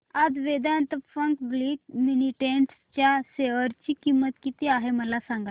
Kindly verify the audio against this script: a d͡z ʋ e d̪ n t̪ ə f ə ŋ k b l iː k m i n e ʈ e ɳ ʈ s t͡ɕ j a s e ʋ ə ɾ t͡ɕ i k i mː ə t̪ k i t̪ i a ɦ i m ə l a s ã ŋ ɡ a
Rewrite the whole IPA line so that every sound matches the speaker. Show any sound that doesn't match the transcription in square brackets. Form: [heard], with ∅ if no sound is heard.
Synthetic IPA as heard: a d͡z ʋ e d̪ n t̪ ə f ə ŋ k b l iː k m i n [i] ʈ e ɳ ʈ s t͡ɕ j a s e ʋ ə ɾ t͡ɕ i k i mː ə t̪ k i t̪ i a ɦ [e] m ə l a s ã ŋ ɡ a